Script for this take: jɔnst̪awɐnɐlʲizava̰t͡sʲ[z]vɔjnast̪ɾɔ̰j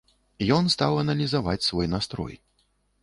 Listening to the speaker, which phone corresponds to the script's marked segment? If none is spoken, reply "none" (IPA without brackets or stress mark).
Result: s